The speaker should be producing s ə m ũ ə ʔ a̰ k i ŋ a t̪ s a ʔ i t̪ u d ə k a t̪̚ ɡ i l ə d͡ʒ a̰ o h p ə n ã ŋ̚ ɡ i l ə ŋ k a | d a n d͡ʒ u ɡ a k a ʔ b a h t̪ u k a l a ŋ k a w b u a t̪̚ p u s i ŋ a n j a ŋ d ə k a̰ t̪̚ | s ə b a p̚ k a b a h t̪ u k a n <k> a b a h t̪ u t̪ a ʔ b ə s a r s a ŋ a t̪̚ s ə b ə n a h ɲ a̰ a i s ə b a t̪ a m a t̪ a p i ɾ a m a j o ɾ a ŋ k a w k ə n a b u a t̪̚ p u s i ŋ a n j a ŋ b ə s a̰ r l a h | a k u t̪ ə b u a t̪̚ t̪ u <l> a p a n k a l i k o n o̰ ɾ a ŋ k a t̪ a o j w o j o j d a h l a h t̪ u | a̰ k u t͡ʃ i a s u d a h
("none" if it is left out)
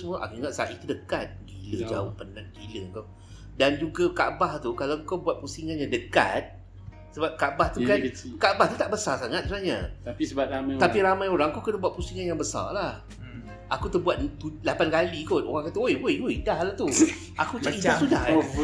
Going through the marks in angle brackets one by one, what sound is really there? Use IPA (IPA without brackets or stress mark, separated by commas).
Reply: k, l